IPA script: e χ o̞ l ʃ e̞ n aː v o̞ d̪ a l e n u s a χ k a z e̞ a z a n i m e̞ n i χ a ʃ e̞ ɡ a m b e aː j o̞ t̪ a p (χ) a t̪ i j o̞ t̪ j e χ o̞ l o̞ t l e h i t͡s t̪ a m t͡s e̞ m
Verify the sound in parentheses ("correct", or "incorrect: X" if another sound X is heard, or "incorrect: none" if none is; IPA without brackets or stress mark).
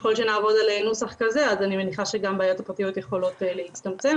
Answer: incorrect: ʁ